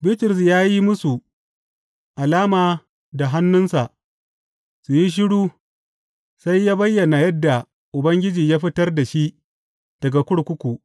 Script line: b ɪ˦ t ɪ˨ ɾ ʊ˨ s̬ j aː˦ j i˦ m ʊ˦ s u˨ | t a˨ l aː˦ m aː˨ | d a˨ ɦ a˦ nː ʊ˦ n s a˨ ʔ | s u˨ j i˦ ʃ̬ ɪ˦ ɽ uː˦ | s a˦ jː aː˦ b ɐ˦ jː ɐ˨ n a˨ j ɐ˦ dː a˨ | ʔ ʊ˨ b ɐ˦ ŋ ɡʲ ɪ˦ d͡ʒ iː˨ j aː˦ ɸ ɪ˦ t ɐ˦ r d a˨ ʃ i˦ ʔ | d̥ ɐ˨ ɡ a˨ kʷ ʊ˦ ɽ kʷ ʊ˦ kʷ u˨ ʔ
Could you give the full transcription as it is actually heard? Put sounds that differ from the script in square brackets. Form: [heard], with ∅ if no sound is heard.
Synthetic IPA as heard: b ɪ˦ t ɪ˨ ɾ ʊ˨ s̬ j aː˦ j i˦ m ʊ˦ s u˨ | [ʔ] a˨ l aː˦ m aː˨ | d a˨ ɦ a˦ nː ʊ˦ n s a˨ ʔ | s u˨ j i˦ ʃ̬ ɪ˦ ɽ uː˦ | s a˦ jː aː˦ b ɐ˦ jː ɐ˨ n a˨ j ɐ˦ dː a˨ | ʔ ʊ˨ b ɐ˦ ŋ ɡʲ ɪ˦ d͡ʒ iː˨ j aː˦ ɸ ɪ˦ t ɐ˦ r d a˨ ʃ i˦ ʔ | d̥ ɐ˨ ɡ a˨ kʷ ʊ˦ ɽ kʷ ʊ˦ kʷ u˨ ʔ